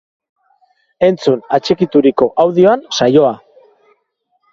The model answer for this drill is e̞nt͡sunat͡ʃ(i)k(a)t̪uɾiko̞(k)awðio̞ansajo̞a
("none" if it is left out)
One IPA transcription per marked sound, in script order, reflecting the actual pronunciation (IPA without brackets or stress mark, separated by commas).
e, i, ʔ